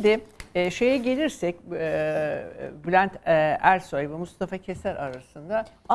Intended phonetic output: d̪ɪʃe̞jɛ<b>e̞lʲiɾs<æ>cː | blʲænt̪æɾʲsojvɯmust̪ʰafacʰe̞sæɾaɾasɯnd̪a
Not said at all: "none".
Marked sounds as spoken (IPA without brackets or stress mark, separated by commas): ɟ, ɛ